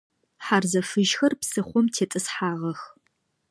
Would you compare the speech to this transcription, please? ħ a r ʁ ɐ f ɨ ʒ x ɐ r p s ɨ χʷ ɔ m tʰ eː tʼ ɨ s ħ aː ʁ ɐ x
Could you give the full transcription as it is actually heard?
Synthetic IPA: ħ a r z ɐ f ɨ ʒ x ɐ r p s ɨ χʷ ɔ m tʰ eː tʼ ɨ s ħ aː ʁ ɐ x

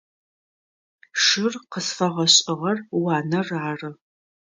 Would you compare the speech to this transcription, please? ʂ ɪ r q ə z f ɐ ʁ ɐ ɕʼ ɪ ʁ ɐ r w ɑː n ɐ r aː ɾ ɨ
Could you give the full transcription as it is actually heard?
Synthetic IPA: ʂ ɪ r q ə s f ɐ ʁ ɐ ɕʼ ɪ ʁ ɐ r w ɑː n ɐ r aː r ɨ

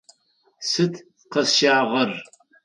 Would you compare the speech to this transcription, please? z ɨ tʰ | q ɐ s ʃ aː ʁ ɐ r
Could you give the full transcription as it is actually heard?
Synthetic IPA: s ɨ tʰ | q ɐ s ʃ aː ʁ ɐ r

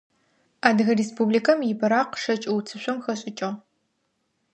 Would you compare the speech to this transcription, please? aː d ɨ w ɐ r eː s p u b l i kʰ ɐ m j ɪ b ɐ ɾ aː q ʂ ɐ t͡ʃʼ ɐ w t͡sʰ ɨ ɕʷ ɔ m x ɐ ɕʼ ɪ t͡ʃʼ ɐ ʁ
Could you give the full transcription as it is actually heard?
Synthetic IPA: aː d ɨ ɣ ɐ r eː s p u b l i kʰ ɐ m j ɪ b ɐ ɾ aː q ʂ ɐ t͡ʃʼ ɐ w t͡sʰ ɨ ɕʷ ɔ m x ɐ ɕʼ ɪ t͡ʃʼ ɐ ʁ

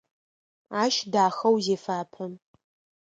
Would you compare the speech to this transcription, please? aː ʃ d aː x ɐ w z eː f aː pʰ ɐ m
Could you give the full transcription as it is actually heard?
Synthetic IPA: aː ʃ d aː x ɐ w z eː f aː pʰ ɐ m

